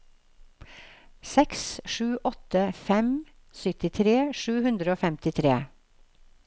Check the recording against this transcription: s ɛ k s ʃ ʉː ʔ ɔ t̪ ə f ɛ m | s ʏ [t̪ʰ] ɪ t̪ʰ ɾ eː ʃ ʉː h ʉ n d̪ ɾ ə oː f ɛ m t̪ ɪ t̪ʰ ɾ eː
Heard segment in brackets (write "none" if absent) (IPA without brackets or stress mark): t̪